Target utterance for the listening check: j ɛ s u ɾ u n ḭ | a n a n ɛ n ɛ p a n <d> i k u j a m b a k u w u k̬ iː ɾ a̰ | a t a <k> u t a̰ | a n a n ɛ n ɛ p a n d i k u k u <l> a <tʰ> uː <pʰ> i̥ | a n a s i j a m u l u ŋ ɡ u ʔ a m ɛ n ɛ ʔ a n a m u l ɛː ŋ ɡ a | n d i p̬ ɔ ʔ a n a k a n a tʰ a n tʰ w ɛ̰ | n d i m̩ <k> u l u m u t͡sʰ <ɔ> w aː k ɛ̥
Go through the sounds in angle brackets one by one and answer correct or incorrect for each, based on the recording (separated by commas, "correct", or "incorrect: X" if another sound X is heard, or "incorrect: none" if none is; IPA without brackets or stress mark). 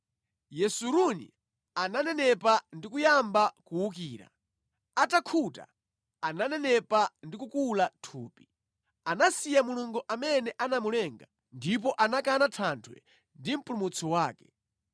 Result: correct, incorrect: kʰ, correct, correct, incorrect: p, incorrect: p, correct